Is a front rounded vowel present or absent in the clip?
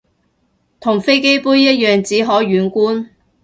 present